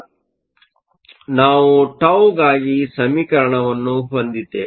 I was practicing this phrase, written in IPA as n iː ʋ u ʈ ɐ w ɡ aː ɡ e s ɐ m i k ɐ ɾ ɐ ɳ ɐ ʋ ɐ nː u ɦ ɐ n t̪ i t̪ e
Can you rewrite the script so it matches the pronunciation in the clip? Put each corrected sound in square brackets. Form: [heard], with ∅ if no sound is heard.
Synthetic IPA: n [aː] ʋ u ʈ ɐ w ɡ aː ɡ [i] s ɐ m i k ɐ ɾ ɐ ɳ ɐ ʋ ɐ nː u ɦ ɐ n [d̪] i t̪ e